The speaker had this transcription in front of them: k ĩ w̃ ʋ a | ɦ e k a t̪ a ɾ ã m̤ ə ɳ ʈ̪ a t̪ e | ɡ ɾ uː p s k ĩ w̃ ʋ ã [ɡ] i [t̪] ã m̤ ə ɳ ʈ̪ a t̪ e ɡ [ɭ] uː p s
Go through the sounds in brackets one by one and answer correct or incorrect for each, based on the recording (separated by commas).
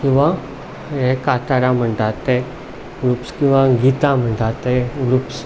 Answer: correct, correct, incorrect